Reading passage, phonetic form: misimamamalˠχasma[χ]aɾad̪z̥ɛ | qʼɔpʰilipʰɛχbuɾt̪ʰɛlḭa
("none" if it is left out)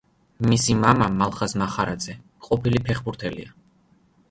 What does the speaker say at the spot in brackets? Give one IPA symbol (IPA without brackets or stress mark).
χ